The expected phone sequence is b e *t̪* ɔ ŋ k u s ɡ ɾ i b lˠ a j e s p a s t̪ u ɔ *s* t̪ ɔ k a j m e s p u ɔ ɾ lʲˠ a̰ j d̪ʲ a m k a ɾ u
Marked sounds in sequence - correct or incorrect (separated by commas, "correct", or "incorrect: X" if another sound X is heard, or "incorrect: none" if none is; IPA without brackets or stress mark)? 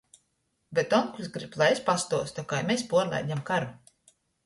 correct, correct